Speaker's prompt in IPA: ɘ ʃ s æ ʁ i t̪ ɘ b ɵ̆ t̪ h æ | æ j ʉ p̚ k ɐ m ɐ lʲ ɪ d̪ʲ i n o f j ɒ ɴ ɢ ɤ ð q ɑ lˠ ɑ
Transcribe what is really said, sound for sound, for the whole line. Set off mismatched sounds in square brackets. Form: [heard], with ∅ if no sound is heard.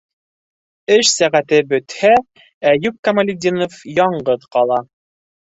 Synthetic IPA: ɘ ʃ s æ ʁ [æ] t̪ ɘ b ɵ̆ t̪ h æ | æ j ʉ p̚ k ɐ m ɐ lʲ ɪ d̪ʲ i n o f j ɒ ɴ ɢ ɤ ð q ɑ lˠ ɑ